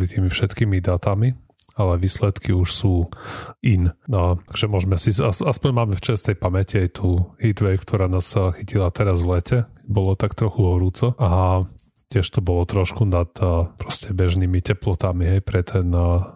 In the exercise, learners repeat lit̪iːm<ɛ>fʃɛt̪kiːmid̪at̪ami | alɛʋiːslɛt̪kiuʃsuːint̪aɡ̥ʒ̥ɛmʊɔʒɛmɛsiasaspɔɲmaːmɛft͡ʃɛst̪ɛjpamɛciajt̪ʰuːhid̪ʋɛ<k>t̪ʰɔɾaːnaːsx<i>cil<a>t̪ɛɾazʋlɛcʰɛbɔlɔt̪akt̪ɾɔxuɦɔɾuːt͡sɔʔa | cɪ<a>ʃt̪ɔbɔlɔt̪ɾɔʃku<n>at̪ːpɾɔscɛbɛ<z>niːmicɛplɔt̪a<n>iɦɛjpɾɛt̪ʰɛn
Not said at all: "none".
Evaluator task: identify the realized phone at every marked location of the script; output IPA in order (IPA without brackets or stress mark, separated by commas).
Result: i, k, i, a, ɛ, n, ʒ, m